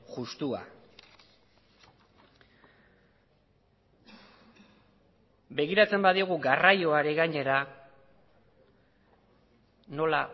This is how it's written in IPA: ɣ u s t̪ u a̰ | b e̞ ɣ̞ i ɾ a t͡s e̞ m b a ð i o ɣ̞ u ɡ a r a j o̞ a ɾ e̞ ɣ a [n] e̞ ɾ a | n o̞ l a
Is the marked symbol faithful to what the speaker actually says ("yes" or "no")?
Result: no